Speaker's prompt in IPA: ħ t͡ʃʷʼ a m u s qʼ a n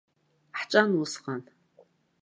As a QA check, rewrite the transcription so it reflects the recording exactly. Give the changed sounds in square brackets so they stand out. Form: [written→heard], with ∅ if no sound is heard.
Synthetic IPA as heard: ħ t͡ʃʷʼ a [m→n] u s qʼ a n